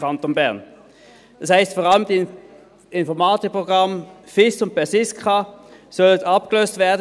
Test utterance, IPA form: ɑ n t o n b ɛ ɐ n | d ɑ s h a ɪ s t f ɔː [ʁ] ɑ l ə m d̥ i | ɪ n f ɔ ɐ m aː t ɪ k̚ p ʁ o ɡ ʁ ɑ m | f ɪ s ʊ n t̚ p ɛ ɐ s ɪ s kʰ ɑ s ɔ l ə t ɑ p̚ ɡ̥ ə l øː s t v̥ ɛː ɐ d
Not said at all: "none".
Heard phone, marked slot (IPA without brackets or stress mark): ʁ